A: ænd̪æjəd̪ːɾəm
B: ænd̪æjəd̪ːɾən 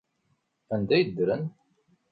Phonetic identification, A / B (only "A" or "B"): B